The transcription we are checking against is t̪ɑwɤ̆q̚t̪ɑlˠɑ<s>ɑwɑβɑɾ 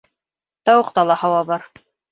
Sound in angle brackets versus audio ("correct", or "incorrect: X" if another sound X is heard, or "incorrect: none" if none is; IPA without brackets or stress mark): incorrect: h